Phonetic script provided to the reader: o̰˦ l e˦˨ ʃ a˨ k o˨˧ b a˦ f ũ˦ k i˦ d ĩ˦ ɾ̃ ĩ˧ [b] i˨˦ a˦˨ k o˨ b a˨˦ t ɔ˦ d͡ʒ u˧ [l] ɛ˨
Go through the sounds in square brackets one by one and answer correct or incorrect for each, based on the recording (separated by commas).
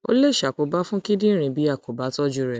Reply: correct, incorrect